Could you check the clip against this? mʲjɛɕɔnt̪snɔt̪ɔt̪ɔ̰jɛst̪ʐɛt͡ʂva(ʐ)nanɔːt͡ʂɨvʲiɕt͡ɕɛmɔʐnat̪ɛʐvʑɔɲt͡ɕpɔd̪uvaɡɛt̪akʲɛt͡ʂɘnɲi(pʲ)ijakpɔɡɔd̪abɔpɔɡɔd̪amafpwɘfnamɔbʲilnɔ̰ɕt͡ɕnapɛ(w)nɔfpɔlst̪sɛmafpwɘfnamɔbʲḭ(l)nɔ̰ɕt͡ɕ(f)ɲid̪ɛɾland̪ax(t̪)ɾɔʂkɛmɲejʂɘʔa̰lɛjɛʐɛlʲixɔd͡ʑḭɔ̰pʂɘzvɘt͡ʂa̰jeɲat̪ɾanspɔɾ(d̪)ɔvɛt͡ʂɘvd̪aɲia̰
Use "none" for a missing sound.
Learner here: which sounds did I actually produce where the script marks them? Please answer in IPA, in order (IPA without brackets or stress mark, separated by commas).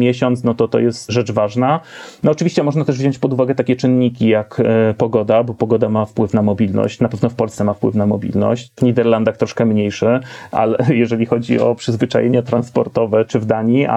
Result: ʐ, kʲ, v, l, v, t̪, t̪